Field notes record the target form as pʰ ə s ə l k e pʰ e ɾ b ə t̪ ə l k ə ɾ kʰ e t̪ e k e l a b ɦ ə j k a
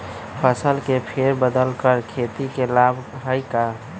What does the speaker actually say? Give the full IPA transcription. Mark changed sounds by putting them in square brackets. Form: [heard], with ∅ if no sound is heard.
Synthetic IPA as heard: pʰ ə s ə l k e pʰ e ɾ b ə [d̪] ə l k ə ɾ kʰ e t̪ [i] k e l a b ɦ ə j k a